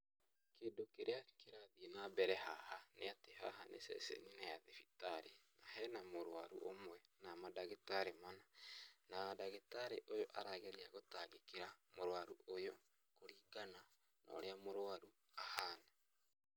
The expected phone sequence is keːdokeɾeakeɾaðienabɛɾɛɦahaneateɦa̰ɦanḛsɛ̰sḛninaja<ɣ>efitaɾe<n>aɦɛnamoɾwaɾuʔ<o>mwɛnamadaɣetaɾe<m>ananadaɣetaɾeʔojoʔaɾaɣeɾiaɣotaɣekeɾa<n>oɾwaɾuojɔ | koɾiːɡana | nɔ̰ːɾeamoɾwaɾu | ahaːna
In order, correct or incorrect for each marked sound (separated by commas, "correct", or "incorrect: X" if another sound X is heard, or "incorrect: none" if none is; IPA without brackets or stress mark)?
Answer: incorrect: ð, correct, correct, correct, incorrect: m